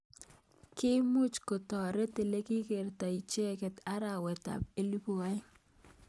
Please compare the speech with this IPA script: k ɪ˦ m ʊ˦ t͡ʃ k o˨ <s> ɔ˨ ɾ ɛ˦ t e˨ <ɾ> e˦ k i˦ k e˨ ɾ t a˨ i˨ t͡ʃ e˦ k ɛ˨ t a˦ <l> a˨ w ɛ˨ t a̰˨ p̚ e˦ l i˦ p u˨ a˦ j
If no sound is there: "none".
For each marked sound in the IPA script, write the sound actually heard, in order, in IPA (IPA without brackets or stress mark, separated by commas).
t, l, ɾ